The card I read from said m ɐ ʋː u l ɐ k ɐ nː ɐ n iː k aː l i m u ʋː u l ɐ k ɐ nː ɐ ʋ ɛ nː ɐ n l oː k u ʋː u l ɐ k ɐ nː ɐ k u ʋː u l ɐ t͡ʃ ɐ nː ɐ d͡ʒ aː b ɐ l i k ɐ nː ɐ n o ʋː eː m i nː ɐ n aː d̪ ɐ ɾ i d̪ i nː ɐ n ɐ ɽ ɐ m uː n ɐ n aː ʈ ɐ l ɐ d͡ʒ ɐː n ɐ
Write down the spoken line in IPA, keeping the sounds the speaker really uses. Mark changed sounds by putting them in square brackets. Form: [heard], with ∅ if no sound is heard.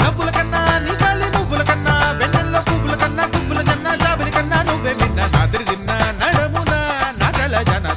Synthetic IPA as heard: [n] ɐ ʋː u l ɐ k ɐ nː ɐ n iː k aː l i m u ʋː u l ɐ k ɐ nː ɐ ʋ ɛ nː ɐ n l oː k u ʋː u l ɐ k ɐ nː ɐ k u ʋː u l ɐ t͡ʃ ɐ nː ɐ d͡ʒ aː b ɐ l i k ɐ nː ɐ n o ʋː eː m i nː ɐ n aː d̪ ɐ ɾ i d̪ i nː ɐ n ɐ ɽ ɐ m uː n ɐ n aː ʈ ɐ l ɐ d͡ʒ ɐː n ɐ

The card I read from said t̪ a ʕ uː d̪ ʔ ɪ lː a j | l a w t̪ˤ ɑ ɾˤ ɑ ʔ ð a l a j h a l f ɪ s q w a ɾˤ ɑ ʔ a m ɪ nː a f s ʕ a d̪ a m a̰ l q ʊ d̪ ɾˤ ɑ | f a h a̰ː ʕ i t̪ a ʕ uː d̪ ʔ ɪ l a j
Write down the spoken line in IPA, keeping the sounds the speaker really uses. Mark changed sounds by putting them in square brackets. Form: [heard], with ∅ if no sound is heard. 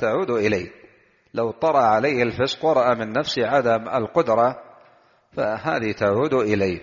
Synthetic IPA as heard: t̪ a ʕ uː d̪ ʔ ɪ [l] a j | l a w t̪ˤ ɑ ɾˤ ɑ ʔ [ʕ] a l a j h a l f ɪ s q w [ɑ] ɾˤ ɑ ʔ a m ɪ nː a f s ʕ a d̪ a m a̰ l q ʊ d̪ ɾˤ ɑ | f a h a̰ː [ð] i t̪ a ʕ uː d̪ ʔ ɪ l a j

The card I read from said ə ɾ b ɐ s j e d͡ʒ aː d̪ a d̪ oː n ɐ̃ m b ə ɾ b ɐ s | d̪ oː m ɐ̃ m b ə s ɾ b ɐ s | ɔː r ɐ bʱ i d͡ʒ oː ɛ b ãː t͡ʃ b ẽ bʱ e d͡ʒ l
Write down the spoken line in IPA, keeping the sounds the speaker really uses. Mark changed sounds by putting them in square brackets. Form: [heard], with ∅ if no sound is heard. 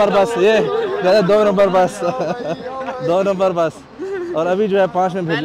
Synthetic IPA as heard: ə ɾ b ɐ s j e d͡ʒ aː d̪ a d̪ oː n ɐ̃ m b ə ɾ b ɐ s | d̪ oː [n] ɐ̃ m b ə [∅] ɾ b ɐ s | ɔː [ɾ] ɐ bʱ i d͡ʒ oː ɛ [p] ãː t͡ʃ [m] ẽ bʱ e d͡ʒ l

